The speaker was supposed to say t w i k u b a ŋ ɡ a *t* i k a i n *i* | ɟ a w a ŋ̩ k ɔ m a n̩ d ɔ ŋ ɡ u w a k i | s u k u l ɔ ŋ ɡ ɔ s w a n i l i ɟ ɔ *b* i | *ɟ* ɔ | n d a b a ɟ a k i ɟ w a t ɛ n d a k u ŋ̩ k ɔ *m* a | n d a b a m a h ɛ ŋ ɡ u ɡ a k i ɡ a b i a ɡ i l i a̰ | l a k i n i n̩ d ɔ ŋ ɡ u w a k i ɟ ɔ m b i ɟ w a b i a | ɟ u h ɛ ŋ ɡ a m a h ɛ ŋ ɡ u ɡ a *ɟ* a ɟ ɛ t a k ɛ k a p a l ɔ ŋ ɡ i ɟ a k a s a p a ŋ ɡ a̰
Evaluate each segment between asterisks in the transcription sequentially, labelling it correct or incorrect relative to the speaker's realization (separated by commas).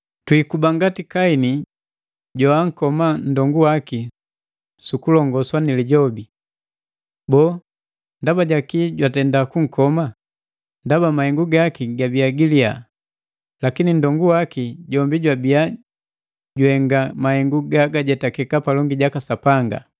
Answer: correct, correct, correct, incorrect, correct, incorrect